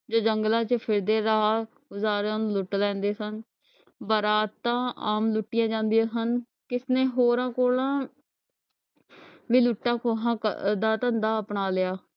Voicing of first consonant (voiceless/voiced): voiced